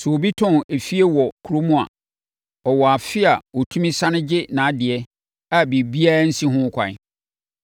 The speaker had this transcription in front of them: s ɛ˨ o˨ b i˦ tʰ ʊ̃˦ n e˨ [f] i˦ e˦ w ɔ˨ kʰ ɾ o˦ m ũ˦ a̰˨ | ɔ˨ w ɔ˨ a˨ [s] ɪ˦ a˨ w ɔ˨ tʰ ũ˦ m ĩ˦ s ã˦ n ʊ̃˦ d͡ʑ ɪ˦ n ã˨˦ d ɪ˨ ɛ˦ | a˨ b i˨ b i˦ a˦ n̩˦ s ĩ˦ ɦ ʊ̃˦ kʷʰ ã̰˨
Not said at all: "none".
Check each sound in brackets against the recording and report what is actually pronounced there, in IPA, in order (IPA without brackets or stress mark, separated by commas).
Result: f, f